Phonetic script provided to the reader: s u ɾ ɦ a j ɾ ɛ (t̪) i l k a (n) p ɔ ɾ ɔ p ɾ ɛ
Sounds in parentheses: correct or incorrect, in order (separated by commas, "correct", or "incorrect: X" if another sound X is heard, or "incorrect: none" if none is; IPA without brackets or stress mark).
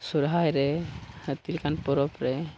correct, correct